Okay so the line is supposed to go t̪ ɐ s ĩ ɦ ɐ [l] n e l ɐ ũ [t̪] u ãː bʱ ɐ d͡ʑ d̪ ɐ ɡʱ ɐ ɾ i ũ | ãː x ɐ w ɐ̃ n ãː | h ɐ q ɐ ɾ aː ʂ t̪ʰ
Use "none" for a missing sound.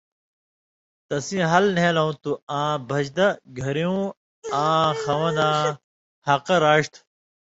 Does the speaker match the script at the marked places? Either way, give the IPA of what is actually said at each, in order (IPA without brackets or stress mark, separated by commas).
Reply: l, t̪